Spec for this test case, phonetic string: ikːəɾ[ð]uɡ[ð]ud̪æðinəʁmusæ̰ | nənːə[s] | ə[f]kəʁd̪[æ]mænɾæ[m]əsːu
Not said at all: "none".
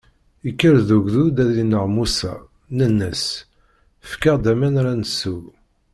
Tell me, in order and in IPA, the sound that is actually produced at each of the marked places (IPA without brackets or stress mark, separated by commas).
ð, ð, s, f, æ, n